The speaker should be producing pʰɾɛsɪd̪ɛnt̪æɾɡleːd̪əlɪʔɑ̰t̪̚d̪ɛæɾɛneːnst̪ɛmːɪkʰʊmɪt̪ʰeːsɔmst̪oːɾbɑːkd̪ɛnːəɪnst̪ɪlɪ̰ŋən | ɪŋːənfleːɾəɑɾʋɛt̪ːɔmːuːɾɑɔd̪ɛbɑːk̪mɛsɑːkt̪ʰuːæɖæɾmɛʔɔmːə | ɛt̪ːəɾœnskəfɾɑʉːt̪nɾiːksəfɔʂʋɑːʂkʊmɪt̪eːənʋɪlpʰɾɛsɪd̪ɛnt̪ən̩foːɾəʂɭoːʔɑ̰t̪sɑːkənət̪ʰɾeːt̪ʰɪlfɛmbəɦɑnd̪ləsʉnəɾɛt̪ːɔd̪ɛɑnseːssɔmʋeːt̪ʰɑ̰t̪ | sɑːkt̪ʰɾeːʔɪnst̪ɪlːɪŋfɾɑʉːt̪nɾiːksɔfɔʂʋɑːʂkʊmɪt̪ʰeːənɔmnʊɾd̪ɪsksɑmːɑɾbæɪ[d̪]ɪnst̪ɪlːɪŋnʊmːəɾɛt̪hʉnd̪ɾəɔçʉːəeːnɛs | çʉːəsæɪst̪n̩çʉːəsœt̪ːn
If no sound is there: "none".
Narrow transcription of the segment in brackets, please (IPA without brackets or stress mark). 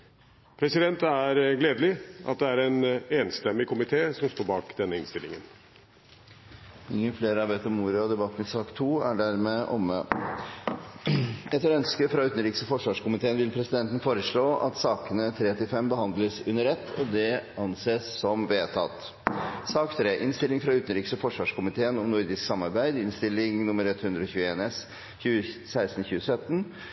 d̪